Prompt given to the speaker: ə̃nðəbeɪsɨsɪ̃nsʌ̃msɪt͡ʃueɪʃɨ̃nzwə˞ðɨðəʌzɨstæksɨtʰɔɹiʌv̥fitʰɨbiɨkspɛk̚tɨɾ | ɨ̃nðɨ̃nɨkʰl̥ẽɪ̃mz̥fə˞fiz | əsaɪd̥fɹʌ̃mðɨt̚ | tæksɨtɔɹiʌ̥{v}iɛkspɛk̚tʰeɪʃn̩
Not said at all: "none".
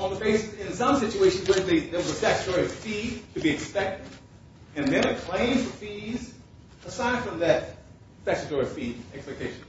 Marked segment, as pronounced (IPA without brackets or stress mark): f